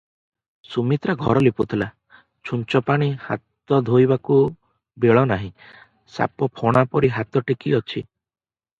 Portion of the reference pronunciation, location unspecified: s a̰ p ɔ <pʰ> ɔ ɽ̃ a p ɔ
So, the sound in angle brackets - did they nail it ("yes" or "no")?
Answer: yes